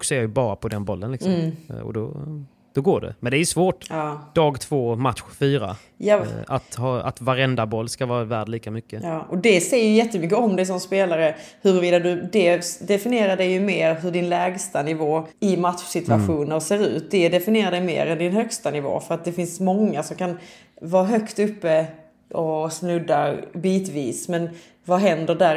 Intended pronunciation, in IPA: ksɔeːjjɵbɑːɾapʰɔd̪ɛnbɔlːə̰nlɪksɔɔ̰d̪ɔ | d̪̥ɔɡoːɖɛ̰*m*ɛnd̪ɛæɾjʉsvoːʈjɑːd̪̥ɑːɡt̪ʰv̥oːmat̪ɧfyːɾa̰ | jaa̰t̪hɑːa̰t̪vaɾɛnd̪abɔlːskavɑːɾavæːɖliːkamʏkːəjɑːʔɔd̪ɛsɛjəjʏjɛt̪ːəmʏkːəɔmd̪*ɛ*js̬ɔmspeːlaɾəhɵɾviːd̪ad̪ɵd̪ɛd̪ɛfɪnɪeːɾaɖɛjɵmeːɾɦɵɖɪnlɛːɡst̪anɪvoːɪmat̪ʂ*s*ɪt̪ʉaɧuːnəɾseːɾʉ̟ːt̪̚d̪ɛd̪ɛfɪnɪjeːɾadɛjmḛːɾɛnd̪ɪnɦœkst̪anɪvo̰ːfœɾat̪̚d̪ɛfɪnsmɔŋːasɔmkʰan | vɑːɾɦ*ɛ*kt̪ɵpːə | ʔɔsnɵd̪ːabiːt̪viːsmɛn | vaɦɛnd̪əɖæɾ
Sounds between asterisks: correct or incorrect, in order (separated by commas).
correct, correct, correct, incorrect